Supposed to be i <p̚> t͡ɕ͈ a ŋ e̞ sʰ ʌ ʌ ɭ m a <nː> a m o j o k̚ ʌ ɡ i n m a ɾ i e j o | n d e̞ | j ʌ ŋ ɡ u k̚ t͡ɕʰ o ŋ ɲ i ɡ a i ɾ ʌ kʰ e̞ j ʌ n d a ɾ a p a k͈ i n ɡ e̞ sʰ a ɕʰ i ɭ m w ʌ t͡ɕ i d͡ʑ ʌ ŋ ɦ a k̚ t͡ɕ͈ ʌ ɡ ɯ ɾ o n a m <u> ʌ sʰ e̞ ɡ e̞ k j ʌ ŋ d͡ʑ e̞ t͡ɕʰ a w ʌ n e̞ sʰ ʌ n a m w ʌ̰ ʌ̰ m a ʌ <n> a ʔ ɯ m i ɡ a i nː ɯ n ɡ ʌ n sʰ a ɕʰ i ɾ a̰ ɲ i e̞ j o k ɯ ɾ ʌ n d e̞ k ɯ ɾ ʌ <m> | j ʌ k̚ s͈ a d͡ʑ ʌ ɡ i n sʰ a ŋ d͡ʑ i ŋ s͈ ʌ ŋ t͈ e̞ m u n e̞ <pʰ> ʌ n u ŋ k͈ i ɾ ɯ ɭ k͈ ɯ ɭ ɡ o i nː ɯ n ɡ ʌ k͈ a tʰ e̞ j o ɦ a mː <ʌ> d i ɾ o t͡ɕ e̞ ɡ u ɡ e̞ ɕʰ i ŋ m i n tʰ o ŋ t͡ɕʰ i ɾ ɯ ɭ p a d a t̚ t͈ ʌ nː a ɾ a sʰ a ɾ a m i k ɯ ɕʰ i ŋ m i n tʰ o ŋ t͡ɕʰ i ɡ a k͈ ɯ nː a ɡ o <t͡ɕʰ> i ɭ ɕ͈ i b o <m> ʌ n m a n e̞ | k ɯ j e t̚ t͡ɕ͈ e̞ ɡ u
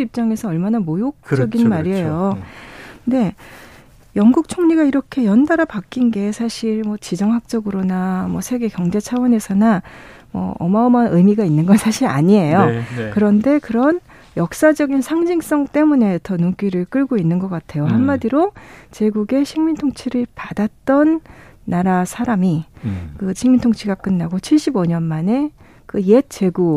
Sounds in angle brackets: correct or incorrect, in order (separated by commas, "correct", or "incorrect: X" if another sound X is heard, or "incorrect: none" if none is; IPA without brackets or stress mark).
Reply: correct, incorrect: n, incorrect: w, incorrect: m, incorrect: n, incorrect: tʰ, incorrect: a, correct, incorrect: ɲ